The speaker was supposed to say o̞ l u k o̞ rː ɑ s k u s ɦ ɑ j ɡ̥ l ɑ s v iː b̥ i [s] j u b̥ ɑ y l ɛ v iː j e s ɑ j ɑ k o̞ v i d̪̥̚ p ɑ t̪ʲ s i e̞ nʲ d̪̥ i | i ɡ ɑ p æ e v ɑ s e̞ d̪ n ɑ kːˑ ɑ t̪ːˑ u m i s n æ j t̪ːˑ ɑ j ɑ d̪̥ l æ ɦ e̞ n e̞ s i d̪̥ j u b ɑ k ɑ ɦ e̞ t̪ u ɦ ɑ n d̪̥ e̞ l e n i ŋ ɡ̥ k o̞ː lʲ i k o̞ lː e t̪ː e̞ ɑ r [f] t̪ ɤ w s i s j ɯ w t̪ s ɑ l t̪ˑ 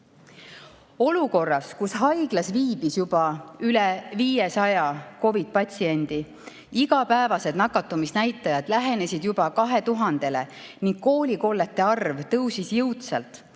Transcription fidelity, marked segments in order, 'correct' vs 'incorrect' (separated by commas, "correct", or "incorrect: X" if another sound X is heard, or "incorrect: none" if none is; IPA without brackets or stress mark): correct, incorrect: v